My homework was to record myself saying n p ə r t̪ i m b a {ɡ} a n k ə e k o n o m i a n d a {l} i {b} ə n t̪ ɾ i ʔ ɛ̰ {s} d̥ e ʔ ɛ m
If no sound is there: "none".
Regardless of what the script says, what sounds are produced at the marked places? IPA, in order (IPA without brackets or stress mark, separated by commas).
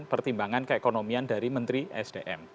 ŋ, ɾ, m, s